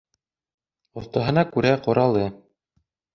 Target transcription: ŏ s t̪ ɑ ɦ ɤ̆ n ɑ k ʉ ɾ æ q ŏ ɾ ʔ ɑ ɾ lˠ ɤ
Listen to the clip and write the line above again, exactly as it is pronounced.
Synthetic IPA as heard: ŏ θ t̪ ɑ ɦ ɤ̆ n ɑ k ʉ ɾ æ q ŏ ɾ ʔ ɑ lˠ ɤ

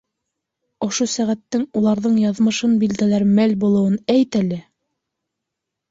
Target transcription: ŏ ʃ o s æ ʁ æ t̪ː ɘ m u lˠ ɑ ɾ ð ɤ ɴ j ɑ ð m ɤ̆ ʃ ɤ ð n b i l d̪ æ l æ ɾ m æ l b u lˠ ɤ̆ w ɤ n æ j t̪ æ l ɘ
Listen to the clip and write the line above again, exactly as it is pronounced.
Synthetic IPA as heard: ŏ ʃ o s æ ʁ æ t̪ː ɘ ŋ u lˠ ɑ ɾ ð ɤ ɴ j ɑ ð m ɤ̆ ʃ ɤ n b i l d̪ æ l æ ɾ m æ l b u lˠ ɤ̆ w ɤ n æ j t̪ æ l ɘ

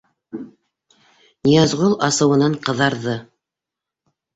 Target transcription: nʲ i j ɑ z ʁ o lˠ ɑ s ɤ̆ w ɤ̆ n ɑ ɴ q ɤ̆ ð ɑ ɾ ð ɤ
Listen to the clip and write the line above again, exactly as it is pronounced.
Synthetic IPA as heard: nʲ i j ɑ z ʁ o lˠ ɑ s ɤ̆ w ɤ̆ n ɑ ɴ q ɤ̆ ð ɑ ɾ ð ɤ

